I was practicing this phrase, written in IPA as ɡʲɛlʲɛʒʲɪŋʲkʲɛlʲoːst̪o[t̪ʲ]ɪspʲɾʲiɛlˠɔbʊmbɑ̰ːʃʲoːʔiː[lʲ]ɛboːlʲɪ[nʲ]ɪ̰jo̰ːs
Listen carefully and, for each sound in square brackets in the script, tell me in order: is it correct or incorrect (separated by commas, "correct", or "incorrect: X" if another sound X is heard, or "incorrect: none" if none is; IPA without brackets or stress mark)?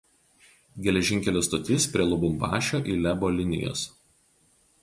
correct, correct, correct